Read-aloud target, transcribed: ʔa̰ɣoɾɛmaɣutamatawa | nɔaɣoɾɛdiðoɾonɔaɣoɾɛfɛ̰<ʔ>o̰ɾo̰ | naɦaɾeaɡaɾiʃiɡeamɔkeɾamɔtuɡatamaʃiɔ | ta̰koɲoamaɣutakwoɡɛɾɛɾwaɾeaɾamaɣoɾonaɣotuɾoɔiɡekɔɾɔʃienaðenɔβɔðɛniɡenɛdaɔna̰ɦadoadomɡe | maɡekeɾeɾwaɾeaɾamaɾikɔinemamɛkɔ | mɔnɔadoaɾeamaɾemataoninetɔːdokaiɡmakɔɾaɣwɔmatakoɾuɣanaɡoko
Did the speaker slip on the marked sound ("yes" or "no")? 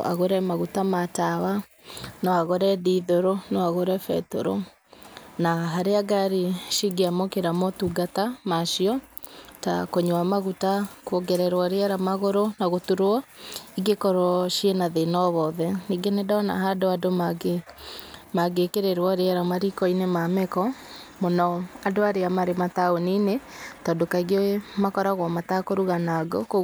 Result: yes